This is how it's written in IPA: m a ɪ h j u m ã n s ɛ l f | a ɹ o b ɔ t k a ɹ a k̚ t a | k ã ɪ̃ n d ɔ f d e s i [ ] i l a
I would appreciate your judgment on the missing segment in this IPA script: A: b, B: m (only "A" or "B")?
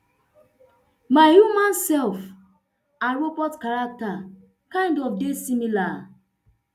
B